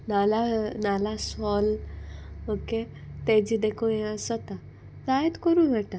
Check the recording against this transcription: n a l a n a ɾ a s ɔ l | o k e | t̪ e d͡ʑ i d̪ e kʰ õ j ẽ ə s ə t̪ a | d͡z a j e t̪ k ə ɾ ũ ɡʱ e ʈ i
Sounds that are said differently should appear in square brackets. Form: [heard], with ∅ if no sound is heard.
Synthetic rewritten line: n a l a n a [l] a s ɔ l | o k e | t̪ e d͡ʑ i d̪ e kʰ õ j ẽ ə s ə t̪ a | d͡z a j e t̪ k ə ɾ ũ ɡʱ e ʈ [a]